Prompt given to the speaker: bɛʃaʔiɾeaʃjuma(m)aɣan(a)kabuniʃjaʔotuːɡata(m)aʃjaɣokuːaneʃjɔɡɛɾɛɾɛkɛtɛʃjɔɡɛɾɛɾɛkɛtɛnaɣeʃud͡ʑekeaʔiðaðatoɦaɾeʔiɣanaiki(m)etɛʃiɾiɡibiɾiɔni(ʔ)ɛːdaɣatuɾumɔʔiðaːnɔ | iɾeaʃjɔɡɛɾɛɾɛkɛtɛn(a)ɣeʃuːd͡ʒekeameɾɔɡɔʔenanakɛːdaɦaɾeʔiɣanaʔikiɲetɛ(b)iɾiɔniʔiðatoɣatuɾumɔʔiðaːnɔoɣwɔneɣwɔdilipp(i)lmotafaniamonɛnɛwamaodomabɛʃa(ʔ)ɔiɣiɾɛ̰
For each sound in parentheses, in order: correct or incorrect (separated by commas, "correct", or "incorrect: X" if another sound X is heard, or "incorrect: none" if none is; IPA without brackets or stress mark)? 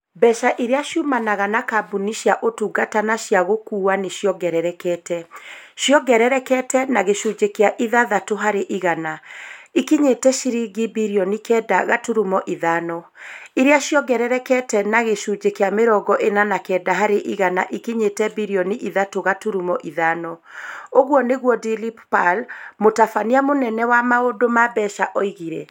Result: incorrect: n, correct, incorrect: n, incorrect: ɲ, incorrect: k, correct, correct, incorrect: a, correct